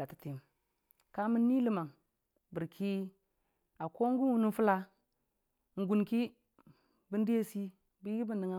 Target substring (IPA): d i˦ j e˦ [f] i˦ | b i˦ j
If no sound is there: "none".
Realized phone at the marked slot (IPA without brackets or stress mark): s